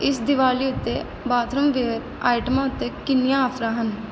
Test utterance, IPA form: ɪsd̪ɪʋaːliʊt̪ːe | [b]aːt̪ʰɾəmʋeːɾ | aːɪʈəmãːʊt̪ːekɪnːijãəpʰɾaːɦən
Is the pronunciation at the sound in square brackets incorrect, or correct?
correct